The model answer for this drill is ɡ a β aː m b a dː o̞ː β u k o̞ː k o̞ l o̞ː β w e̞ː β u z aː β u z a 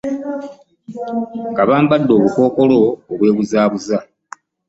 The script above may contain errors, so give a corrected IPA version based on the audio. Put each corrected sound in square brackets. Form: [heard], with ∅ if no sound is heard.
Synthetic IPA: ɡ a β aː m b a dː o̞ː β u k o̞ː k o̞ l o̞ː β w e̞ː β u z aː β u z a

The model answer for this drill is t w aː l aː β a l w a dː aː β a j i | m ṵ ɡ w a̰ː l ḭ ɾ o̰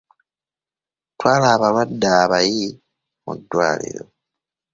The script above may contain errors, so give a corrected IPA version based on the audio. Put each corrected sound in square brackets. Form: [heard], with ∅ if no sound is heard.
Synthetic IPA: t w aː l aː β a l w a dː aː β a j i | m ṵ [d] w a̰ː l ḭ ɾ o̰

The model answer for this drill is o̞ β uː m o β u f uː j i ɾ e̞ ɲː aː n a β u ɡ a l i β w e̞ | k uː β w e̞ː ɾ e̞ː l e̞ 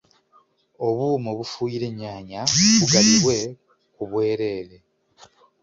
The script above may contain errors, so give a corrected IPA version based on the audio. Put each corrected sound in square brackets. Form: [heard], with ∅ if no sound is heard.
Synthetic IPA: o̞ β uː m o β u f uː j i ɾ e̞ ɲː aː [ɲ] a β u ɡ a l i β w e̞ | k [u] β w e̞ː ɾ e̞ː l e̞

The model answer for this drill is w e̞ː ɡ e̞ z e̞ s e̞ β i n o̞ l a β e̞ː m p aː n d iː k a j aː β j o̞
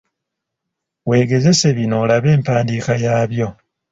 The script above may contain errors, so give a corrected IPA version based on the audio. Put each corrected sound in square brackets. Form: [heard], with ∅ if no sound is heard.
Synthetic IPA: w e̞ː ɡ e̞ z e̞ s e̞ β i n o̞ l a β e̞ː m p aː n d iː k a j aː β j o̞

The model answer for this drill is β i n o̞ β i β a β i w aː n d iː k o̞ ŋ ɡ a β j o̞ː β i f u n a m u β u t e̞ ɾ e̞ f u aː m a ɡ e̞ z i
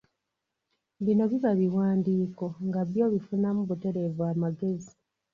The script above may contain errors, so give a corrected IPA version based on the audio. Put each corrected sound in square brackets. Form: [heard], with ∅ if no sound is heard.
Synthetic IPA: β i n o̞ β i β a β i w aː n d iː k o̞ ŋ ɡ a β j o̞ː β i f u n a m u β u t e̞ ɾ e̞ [v] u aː m a ɡ e̞ z i

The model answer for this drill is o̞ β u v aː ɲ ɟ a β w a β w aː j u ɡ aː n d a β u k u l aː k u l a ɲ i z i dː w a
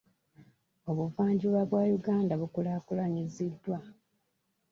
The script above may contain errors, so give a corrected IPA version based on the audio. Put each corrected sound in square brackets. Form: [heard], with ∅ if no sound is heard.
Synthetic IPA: o̞ β u v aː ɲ ɟ [i] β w a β w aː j u ɡ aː n d a β u k u l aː k u l a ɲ i z i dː w a

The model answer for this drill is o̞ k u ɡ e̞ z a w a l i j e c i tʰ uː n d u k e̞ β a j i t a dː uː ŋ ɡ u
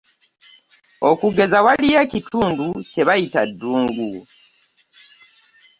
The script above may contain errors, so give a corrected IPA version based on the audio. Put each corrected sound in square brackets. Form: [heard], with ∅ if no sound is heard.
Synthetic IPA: o̞ k u ɡ e̞ z a w a l i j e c i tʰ uː n d u [c] e̞ β a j i t a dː uː ŋ ɡ u

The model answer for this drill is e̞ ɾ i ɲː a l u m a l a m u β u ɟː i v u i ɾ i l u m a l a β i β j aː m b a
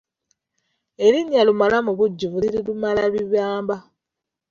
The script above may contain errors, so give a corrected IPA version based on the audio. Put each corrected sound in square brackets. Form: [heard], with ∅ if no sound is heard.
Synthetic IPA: e̞ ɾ i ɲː a l u m a l a m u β u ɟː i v u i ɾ i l u m a l a β i β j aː m b a

